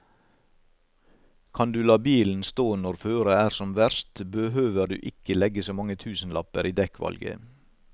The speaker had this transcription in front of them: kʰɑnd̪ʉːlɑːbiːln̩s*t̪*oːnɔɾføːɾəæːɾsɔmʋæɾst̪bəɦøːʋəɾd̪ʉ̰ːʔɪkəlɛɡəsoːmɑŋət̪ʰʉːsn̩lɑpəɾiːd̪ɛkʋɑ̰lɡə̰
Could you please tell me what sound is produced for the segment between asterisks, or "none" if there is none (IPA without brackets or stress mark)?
t̪